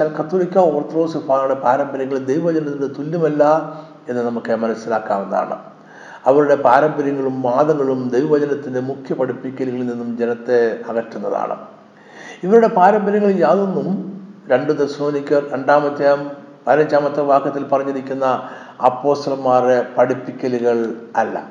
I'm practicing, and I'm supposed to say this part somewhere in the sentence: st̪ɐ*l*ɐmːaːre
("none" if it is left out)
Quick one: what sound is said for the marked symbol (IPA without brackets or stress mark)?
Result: l